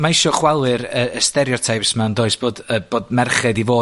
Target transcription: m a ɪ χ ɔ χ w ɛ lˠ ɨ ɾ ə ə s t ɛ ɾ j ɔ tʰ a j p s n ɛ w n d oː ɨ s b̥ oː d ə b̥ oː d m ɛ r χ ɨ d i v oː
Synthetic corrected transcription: m a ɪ ʃ ɔ χ w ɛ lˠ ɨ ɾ ə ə s t ɛ ɾ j ɔ tʰ a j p s m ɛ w n d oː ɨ s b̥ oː d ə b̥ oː d m ɛ r χ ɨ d i v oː